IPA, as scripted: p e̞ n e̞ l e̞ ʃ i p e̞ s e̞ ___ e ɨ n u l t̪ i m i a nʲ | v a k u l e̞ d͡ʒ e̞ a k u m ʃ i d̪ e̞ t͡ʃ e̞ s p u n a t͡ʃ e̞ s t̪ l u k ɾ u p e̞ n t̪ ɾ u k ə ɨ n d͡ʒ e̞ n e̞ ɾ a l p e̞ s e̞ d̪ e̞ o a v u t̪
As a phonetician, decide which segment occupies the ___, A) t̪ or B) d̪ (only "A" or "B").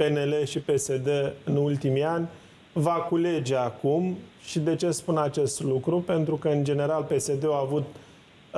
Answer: B